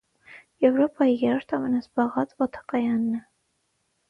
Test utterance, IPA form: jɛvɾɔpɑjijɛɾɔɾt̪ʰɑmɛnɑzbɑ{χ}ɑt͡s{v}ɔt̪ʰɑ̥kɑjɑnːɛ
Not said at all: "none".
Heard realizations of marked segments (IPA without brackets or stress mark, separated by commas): ʁ, v